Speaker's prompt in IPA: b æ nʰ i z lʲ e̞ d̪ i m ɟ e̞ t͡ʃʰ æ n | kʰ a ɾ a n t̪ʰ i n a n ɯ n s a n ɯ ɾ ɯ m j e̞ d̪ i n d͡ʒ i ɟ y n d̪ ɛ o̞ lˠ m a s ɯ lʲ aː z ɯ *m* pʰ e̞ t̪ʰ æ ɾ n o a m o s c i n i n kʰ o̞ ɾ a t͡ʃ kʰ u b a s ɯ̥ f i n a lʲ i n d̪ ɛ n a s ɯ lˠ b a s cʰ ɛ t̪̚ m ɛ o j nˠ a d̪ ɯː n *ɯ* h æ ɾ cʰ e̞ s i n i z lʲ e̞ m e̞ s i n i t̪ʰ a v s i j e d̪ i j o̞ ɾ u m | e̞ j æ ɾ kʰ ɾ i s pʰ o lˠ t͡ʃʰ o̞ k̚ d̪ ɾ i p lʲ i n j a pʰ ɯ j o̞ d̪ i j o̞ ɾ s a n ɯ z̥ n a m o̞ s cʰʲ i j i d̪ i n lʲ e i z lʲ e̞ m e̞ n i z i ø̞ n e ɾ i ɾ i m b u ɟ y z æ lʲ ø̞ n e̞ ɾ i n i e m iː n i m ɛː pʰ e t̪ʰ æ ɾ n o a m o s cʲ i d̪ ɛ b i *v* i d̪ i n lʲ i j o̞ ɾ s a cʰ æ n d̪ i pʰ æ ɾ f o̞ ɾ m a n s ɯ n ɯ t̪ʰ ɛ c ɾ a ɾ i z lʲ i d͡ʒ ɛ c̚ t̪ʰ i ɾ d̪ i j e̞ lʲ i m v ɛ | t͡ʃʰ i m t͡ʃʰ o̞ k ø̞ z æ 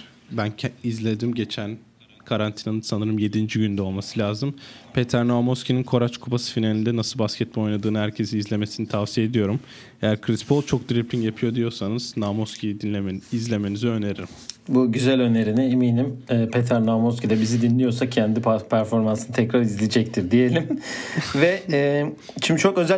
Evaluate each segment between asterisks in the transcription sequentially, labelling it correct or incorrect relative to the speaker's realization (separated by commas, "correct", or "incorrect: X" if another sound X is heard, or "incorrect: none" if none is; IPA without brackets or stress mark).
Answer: correct, correct, incorrect: z